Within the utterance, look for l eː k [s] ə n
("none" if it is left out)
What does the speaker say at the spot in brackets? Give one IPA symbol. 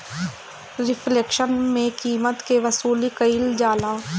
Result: ʃ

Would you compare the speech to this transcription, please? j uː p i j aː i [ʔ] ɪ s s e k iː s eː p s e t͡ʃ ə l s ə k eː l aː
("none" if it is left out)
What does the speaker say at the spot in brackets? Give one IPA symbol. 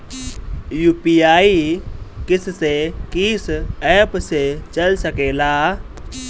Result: k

